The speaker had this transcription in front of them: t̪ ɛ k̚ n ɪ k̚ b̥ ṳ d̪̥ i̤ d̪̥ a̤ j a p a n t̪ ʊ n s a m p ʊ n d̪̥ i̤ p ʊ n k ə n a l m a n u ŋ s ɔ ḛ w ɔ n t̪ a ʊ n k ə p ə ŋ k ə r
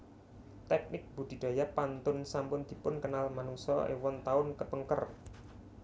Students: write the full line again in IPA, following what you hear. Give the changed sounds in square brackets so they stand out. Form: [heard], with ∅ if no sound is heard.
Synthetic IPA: t̪ ɛ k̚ n ɪ k̚ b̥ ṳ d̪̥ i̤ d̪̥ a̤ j a p a n t̪ ʊ n s a m p ʊ n d̪̥ i̤ p ʊ n k ə n a l m a n u ŋ s ɔ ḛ w ɔ n t̪ a ʊ n k ə p ə ŋ k ə r